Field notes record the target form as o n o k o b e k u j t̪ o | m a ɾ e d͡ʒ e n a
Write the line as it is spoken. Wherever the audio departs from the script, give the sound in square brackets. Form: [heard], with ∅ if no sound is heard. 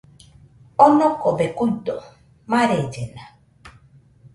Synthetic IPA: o n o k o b e k u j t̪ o | m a ɾ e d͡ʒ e n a